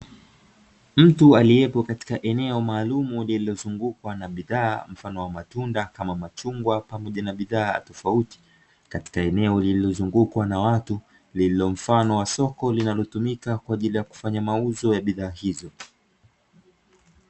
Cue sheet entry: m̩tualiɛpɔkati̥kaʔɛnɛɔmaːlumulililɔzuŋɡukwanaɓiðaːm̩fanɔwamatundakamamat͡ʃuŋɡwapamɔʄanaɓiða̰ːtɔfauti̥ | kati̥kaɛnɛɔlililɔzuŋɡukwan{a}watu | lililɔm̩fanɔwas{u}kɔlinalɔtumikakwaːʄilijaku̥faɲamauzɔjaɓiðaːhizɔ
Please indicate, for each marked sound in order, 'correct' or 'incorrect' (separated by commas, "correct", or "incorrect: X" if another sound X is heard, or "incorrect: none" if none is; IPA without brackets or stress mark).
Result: correct, incorrect: ɔ